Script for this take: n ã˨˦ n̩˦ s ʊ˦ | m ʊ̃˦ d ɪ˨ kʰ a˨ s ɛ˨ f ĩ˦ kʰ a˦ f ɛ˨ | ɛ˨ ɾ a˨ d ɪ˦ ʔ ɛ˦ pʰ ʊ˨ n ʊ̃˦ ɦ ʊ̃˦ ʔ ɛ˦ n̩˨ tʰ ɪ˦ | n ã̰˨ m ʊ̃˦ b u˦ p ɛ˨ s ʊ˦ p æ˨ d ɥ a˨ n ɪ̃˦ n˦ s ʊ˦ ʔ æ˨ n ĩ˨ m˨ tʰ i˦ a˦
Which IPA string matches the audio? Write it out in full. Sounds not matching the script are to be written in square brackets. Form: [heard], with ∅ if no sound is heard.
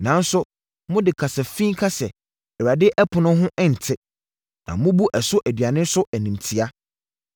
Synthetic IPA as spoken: n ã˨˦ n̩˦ s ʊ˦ | m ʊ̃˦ d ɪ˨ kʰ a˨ s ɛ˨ f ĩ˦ kʰ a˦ [s] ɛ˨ | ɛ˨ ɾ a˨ d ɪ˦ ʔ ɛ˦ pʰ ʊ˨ n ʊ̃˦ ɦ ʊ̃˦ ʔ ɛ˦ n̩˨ tʰ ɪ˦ | n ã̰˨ m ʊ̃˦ b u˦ [ʔ] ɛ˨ s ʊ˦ [ʔ] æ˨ d ɥ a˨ n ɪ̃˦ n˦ s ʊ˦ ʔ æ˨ n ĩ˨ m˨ tʰ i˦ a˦

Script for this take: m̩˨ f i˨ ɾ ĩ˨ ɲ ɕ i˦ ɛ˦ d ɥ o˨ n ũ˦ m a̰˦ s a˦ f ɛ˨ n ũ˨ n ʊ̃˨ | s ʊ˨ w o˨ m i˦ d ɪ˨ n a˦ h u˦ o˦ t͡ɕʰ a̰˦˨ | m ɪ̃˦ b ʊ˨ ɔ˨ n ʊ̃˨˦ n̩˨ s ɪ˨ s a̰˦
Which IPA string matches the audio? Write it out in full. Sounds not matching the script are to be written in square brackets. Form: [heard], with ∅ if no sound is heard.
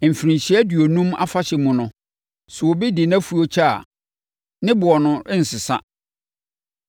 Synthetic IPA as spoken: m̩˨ f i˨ ɾ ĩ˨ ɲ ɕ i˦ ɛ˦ d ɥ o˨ n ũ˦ m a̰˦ [f] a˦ [ɕ] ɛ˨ [m] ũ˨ n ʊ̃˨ | s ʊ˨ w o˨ [b] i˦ d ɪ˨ n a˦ [f] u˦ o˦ t͡ɕʰ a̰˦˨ | [n] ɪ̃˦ b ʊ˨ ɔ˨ n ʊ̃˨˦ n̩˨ s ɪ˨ s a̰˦

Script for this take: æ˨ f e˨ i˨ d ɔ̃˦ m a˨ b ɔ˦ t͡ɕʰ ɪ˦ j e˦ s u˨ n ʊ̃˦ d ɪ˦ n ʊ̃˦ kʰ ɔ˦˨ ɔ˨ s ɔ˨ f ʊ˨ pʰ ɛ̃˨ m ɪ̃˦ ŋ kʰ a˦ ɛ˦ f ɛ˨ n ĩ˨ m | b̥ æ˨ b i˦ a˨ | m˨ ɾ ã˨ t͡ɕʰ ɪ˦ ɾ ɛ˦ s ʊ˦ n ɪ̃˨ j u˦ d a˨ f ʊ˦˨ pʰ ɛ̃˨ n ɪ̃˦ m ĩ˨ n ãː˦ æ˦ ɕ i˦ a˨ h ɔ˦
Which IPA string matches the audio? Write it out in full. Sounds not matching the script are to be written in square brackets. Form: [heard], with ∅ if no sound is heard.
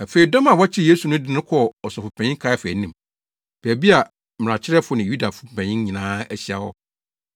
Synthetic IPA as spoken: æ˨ f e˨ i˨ d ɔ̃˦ m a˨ [w] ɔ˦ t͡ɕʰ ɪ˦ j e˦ s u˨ n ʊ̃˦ d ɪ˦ n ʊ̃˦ kʰ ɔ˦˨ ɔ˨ s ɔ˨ f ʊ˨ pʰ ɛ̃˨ [ɲ] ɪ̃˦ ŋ kʰ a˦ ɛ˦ f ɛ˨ n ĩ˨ m | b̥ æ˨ b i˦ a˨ | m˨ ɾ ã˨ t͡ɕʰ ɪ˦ ɾ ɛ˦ [f] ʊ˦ n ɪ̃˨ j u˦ d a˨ f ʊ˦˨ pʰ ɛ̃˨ [ɲ] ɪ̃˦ [ɲ] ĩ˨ n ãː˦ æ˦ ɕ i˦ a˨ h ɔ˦

